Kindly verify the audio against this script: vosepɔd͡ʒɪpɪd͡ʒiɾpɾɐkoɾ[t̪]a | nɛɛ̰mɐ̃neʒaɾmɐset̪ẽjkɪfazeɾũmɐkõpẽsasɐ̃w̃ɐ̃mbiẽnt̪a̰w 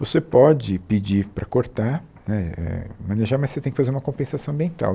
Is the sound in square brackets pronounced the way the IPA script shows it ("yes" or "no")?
yes